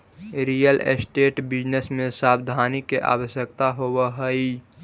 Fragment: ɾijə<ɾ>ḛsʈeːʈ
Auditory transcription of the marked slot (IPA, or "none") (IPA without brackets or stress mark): l